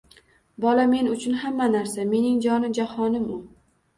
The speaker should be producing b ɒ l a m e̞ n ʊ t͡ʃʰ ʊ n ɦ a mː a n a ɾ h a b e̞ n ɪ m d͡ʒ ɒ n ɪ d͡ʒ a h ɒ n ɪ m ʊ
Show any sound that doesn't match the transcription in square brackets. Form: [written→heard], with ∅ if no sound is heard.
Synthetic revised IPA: b ɒ l a m e̞ n ʊ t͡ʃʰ ʊ n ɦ a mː a n a ɾ [h→s] a [b→m] e̞ n ɪ [m→ŋ] d͡ʒ ɒ n ɪ d͡ʒ a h ɒ n ɪ m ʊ